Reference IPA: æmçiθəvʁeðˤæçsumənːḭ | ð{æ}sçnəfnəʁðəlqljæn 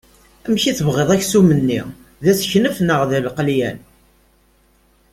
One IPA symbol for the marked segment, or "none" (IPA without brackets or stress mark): æ